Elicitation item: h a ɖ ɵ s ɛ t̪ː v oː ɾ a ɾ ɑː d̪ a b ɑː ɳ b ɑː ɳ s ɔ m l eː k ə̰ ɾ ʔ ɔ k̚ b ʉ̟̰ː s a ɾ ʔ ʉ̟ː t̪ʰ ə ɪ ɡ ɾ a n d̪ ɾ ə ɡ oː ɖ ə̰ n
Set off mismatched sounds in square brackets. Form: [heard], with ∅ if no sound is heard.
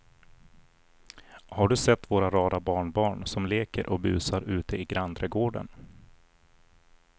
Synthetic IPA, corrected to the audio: h a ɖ ɵ s ɛ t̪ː v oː ɾ a ɾ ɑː d̪ a b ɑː ɳ b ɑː ɳ s ɔ m l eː k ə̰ ɾ ʔ ɔ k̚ b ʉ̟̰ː s a ɾ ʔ ʉ̟ː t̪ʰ ə ɪ ɡ ɾ a n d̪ ɾ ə ɡ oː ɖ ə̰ n